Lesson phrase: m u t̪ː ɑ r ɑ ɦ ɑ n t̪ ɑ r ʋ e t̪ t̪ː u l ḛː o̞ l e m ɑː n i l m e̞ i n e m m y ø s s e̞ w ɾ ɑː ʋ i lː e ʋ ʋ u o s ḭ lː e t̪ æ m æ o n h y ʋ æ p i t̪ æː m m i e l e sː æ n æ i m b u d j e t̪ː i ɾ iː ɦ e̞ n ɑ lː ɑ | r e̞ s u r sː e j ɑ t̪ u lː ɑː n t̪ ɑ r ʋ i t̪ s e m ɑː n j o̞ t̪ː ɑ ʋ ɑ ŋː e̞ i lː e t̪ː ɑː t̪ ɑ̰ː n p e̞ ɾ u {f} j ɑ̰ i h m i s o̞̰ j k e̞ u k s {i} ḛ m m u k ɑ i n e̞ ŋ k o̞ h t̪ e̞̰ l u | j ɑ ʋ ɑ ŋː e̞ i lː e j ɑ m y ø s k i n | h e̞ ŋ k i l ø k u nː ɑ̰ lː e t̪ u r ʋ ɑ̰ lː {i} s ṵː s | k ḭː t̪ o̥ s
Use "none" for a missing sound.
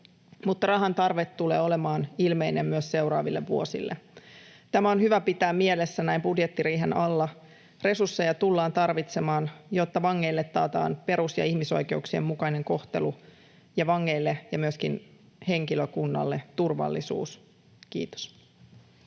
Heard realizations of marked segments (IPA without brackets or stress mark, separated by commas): s, i, i